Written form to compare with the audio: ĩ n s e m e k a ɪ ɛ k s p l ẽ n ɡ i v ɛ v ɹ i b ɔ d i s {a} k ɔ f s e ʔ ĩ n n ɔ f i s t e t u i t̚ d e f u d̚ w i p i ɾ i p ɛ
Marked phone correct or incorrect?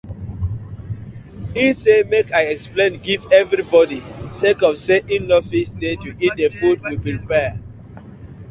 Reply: incorrect